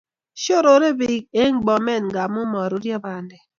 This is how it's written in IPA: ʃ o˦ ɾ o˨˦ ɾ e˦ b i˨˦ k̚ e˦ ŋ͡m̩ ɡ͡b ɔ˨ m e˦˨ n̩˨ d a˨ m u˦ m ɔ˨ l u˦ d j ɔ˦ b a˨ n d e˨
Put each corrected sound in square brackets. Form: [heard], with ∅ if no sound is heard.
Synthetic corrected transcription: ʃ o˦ ɾ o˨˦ ɾ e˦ b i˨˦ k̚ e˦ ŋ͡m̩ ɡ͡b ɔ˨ m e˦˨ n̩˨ [ɡ] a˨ m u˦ m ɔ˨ [ɾ] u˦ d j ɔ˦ b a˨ n d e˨